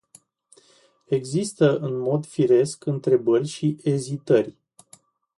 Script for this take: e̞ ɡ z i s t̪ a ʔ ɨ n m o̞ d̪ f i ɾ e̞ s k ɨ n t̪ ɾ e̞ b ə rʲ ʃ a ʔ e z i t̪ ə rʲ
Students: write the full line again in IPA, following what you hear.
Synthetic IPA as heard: e̞ ɡ z i s t̪ ə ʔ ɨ n m o̞ d̪ f i ɾ e̞ s k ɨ n t̪ ɾ e̞ b ə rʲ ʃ i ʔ e z i t̪ ə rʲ